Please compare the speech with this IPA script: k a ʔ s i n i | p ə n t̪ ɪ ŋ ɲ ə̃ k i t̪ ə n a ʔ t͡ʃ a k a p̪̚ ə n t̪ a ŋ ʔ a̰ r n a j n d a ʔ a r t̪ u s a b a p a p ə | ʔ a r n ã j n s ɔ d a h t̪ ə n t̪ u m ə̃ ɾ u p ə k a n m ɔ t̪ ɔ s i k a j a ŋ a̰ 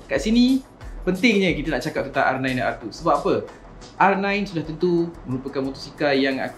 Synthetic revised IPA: k a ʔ s i n i | p ə n t̪ ɪ ŋ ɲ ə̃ k i t̪ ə n a ʔ t͡ʃ a k a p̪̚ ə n t̪ a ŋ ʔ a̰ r n a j n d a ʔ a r t̪ u s ə b a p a p ə | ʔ a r n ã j n s u d a h t̪ ə n t̪ u m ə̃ ɾ u p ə k a n m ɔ t̪ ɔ s i k a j a ŋ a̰